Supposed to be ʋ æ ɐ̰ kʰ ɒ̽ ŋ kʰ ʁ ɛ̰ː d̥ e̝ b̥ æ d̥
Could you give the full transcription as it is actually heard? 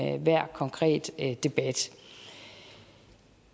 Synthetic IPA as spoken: ʋ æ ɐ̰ kʰ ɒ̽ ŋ kʰ ʁ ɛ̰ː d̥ e̝ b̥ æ d̥

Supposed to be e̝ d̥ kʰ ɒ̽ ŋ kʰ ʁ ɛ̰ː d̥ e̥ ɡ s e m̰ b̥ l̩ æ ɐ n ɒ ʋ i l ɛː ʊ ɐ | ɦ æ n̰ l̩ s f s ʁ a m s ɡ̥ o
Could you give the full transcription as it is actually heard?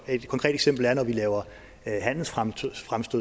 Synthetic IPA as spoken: e̝ d̥ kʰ ɒ̽ ŋ kʰ ʁ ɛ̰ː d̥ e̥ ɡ s e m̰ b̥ l̩ æ ɐ n ɒ ʋ i l ɛː ʊ ɐ | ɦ æ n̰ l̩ s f f ʁ a m s d̥ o

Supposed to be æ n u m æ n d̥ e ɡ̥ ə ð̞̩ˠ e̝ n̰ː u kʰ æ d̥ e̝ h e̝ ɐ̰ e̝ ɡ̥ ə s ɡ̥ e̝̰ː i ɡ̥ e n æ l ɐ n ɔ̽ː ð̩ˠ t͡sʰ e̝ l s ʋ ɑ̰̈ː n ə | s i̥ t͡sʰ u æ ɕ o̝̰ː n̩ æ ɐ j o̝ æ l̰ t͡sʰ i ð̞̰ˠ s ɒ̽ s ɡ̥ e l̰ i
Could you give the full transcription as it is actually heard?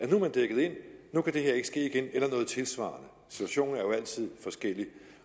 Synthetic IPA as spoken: æ n u m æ n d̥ e ɡ̥ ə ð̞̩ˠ e̝ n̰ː u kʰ æ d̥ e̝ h e̝ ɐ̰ e̝ ɡ̥ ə s ɡ̥ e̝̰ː i ɡ̥ e n e l ɐ n ɔ̽ː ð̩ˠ t͡sʰ e̝ l s ʋ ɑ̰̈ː n ə | s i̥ t͡sʰ u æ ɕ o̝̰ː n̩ æ ɐ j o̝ æ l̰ t͡sʰ i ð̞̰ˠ f ɒ̽ s ɡ̥ e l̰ i

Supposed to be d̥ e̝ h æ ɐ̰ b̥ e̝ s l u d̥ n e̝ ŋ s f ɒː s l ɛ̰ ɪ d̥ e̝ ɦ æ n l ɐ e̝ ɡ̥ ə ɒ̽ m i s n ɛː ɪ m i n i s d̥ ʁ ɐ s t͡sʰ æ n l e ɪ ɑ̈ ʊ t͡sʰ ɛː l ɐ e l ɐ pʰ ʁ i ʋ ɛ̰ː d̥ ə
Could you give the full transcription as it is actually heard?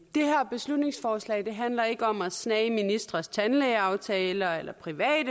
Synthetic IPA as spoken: d̥ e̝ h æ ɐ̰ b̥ e̝ s l u d̥ n e̝ ŋ s f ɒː s l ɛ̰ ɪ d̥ e̝ ɦ æ n l ɐ e̝ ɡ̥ ə ɒ̽ m æ s n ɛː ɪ m i n i s d̥ ʁ ɐ s t͡sʰ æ n l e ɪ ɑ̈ ʊ t͡sʰ ɛː l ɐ e l ɐ pʰ ʁ i ʋ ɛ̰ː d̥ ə

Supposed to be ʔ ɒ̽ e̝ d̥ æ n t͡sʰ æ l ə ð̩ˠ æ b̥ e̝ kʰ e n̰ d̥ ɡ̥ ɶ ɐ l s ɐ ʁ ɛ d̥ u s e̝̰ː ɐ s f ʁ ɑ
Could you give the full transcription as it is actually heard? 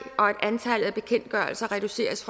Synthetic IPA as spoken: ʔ ɒ̽ e̝ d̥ æ n t͡sʰ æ l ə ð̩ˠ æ b̥ e̝ kʰ e n̰ d̥ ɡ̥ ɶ ɐ l s ɐ ʁ ɛ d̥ u s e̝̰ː ɐ s f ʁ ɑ

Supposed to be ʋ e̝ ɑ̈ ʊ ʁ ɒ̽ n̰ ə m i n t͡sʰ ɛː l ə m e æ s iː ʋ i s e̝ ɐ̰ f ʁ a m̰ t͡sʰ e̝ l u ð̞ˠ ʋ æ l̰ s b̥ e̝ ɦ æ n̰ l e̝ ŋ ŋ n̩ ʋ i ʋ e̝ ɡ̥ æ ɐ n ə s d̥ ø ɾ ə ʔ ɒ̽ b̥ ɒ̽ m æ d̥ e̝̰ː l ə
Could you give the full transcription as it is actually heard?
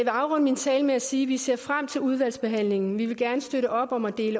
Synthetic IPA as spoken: ʋ e̝ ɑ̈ ʊ ʁ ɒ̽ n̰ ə m i n t͡sʰ ɛː l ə m e æ s iː ʋ i s e̝ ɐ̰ f ʁ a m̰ t͡sʰ e̝ l u ð̞ˠ ʋ æ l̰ s b̥ e̝ ɦ æ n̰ l e̝ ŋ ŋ n̩ ʋ i ʋ e̝ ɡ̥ æ ɐ n ə s d̥ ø ɾ ə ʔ ɒ̽ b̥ ɒ̽ m æ d̥ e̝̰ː l ə

